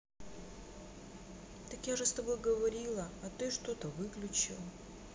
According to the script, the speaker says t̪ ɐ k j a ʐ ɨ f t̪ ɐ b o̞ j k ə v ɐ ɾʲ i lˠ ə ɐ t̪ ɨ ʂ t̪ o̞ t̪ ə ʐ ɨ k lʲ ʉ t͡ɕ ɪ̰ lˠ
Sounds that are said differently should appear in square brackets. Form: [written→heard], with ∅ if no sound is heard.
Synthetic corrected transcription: t̪ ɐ k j a ʐ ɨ [f→s] t̪ ɐ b o̞ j [k→ɡ] ə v ɐ ɾʲ i lˠ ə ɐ t̪ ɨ ʂ t̪ o̞ t̪ ə [ʐ→v] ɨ k lʲ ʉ t͡ɕ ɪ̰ lˠ